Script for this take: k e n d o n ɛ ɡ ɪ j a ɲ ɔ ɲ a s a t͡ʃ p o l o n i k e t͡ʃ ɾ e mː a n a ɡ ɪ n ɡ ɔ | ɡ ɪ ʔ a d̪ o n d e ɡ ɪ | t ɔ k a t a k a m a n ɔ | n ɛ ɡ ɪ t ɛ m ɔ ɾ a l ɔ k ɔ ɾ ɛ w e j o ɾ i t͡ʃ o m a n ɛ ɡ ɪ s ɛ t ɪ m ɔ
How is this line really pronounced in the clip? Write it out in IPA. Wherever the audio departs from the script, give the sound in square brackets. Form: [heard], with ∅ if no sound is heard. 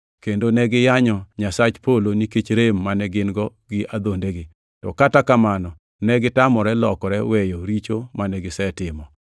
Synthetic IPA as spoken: k e n d o n ɛ ɡ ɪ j a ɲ ɔ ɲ a s a t͡ʃ p o l o n i k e t͡ʃ ɾ e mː a n [ɛ] ɡ ɪ n ɡ ɔ | ɡ ɪ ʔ a d̪ o n d e ɡ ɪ | t ɔ k a t a k a m a n ɔ | n ɛ ɡ ɪ t [a] m ɔ ɾ [ɛ] l ɔ k ɔ ɾ ɛ w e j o ɾ i t͡ʃ o m a n ɛ ɡ ɪ s ɛ t ɪ m ɔ